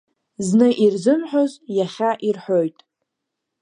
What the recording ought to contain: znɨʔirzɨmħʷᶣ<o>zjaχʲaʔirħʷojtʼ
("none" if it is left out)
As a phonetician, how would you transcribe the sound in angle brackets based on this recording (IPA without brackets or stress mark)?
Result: o